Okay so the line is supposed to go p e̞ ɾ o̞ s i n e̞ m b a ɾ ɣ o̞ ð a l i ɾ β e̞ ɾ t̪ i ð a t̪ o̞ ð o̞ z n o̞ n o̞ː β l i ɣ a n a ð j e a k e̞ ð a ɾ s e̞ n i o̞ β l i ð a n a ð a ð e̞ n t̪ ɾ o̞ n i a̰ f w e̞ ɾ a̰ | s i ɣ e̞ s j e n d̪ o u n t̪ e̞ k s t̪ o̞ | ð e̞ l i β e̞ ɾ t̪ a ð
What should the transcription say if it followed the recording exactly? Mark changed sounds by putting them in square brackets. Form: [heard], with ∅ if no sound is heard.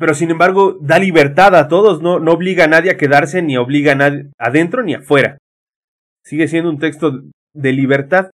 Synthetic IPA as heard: p e̞ ɾ o̞ s i n e̞ m b a ɾ ɣ o̞ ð a l i [∅] β e̞ ɾ t̪ [a] ð a t̪ o̞ ð o̞ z n o̞ n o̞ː β l i ɣ a n a ð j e a k e̞ ð a ɾ s e̞ n i o̞ β l i [ɣ] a n a ð a ð e̞ n t̪ ɾ o̞ n i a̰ f w e̞ ɾ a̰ | s i ɣ e̞ s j e n d̪ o u n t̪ e̞ k s t̪ o̞ | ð e̞ l i β e̞ ɾ t̪ a ð